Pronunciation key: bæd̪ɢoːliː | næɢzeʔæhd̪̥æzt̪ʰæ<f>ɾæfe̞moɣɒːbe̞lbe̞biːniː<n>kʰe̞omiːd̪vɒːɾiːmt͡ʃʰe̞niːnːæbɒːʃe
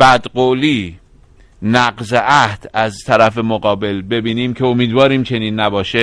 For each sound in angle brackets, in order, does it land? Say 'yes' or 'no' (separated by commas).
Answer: no, no